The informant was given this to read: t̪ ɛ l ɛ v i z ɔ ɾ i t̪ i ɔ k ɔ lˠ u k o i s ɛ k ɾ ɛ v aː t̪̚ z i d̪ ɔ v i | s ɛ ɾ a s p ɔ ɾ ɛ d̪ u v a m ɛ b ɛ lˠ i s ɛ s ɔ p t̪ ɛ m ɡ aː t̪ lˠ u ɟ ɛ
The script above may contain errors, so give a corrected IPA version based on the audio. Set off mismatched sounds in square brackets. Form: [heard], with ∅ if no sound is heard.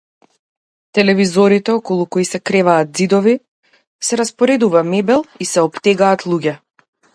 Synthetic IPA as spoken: t̪ ɛ l ɛ v i z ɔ ɾ i t̪ [ɛ] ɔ k ɔ lˠ u k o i s ɛ k ɾ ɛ v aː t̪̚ z i d̪ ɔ v i | s ɛ ɾ a s p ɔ ɾ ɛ d̪ u v a m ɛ b ɛ lˠ i s ɛ [∅] ɔ p t̪ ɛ [∅] ɡ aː t̪ lˠ u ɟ ɛ